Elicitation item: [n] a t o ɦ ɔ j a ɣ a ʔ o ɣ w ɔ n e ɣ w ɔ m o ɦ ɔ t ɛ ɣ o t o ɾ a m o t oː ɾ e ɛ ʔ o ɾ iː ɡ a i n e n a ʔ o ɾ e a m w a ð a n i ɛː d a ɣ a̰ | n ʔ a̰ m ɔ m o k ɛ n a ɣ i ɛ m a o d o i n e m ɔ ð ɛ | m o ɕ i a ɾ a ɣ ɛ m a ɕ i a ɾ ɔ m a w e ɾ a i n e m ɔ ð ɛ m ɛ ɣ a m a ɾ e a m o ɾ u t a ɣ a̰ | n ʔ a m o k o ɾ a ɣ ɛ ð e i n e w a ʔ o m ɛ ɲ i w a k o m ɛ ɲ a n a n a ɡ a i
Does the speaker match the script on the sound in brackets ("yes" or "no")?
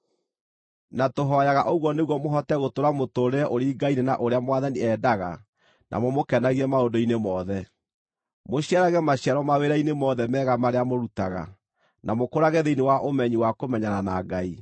yes